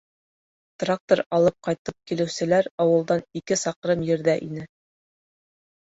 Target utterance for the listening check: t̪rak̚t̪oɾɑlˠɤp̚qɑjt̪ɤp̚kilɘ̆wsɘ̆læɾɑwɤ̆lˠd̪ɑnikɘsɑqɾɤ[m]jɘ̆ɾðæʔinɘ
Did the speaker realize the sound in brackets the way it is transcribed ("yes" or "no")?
yes